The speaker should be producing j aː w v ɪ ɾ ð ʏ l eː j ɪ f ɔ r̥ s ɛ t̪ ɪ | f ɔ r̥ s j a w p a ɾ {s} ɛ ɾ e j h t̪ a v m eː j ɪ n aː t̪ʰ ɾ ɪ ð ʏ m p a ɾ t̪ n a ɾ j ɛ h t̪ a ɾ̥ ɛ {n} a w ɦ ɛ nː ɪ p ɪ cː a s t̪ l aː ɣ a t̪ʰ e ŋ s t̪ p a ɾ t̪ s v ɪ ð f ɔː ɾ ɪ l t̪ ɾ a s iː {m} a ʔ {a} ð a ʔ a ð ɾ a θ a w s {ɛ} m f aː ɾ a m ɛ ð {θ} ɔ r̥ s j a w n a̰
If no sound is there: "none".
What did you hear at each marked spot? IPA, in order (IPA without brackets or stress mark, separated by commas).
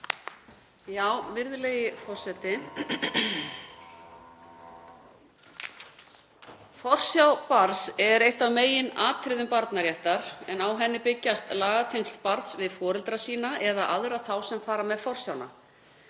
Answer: s, n, n, ɛ, ɛ, f